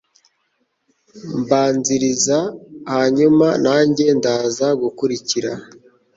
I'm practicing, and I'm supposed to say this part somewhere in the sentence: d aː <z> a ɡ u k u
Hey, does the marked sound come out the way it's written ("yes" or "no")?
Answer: yes